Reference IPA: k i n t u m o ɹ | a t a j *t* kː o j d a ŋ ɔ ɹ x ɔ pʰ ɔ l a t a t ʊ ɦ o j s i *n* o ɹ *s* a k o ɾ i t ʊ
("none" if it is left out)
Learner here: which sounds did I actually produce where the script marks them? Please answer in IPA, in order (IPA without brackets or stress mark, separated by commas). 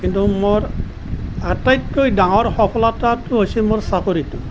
t, m, s